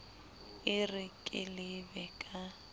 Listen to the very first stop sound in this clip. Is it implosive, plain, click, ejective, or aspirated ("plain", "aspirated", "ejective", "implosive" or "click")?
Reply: ejective